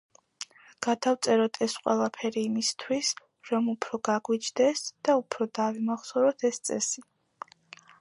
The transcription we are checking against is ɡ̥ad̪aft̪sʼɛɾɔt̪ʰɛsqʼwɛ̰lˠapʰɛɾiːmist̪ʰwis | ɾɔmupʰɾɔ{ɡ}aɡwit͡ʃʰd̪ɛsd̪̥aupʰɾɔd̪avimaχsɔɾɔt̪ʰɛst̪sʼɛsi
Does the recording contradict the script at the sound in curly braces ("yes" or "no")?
no